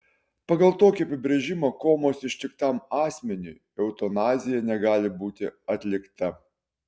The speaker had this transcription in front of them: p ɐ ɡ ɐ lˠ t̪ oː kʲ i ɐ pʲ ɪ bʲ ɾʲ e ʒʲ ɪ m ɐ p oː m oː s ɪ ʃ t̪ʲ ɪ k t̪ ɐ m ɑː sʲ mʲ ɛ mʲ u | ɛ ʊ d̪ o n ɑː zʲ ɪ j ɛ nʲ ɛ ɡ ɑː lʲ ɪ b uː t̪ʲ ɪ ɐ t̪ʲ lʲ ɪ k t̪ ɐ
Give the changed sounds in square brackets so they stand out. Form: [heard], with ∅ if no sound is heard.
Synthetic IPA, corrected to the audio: p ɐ ɡ ɐ lˠ t̪ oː kʲ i ɐ pʲ ɪ bʲ ɾʲ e ʒʲ ɪ m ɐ [k] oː m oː s ɪ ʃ t̪ʲ ɪ k t̪ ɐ m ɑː sʲ mʲ ɛ [nʲ] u | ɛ ʊ [t̪] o n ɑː zʲ ɪ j ɛ nʲ ɛ ɡ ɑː lʲ ɪ b uː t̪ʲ ɪ ɐ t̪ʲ lʲ ɪ k t̪ ɐ